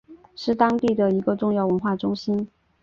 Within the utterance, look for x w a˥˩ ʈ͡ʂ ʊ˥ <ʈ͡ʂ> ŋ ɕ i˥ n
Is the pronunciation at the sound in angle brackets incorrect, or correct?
incorrect: none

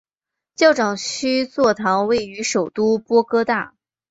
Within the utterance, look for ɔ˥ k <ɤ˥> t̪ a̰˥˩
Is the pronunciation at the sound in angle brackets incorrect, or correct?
correct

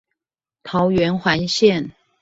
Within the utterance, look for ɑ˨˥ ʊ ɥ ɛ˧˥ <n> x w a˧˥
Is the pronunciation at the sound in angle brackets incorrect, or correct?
correct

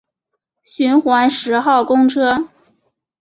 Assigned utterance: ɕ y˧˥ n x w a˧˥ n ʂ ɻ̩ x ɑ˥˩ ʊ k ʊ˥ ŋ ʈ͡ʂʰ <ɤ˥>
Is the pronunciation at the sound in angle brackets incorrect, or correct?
correct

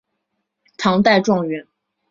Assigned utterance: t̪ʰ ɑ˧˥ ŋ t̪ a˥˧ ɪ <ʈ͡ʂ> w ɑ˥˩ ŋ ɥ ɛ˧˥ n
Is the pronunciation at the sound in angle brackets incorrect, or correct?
correct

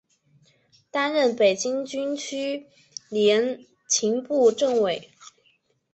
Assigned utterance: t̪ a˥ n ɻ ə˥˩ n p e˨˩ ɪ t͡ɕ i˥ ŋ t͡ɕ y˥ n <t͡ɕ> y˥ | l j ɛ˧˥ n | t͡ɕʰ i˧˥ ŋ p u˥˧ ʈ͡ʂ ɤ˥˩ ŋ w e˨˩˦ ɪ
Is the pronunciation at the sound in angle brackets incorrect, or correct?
incorrect: t͡ɕʰ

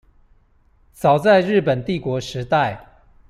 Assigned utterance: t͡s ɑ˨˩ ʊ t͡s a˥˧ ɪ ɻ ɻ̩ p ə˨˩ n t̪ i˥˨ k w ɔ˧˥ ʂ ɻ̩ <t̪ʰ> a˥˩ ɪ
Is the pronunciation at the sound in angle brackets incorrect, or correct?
incorrect: t̪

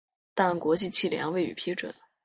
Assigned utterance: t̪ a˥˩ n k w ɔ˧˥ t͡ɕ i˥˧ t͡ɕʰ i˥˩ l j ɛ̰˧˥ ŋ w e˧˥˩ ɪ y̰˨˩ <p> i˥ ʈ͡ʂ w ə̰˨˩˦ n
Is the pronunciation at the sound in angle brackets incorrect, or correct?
incorrect: pʰ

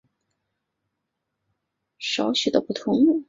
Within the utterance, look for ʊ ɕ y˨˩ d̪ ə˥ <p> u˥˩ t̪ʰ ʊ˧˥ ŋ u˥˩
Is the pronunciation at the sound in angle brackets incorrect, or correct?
correct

